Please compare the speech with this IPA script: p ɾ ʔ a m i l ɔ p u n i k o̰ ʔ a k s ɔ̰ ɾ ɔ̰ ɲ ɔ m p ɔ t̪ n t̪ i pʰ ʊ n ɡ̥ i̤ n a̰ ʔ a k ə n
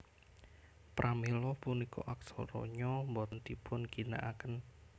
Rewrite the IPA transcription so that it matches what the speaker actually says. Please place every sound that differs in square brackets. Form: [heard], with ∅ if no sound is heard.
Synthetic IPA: p ɾ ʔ a m i l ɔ p u n i k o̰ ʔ a k s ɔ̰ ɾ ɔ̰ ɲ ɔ m [b] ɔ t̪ n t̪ i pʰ ʊ n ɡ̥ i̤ n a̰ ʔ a k ə n